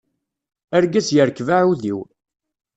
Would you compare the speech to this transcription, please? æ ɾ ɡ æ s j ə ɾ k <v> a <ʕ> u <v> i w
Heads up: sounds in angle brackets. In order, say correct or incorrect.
correct, correct, incorrect: ð

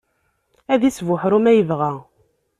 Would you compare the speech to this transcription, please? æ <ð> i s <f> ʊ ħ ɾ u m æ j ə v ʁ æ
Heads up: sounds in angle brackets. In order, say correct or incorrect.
correct, incorrect: v

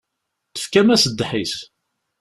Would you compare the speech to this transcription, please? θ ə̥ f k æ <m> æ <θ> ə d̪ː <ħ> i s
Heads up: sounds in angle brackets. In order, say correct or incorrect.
correct, incorrect: s, correct

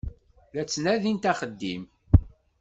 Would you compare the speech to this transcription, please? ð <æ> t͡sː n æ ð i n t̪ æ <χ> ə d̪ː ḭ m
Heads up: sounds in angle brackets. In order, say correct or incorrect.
correct, correct

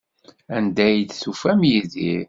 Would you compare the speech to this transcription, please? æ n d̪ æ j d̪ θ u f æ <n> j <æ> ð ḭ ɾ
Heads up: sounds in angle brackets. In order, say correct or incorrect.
incorrect: m, incorrect: i

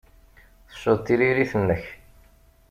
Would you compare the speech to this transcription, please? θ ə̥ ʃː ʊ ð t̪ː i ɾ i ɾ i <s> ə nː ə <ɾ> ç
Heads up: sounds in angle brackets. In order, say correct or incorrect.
incorrect: θ, incorrect: none

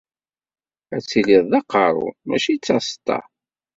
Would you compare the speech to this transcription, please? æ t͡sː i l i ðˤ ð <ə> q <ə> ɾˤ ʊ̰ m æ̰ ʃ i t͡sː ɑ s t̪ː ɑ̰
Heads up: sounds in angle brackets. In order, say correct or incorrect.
incorrect: ɑ, incorrect: ɑ

